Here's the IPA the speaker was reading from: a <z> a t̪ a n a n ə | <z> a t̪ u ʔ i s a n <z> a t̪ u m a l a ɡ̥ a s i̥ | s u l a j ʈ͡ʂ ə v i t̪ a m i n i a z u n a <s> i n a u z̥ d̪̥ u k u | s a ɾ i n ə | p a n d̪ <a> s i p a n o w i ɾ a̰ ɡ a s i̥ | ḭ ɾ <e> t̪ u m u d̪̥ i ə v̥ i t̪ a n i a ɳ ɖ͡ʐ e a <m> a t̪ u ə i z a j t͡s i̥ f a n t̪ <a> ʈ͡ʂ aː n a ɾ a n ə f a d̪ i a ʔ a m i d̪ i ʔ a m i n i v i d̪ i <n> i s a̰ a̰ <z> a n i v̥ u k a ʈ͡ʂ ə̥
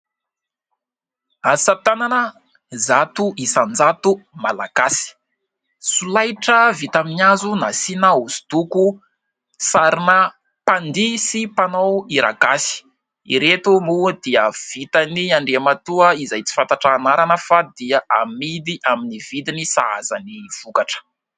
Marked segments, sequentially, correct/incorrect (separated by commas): incorrect, correct, incorrect, correct, incorrect, correct, correct, correct, correct, correct